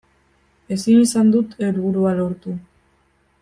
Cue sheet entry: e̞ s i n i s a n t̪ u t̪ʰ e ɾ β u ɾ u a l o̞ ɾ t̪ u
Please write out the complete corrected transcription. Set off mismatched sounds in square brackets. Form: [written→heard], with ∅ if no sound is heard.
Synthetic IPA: e̞ s i n i s a n [t̪→d̪] u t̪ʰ e ɾ β u ɾ u a l o̞ ɾ t̪ u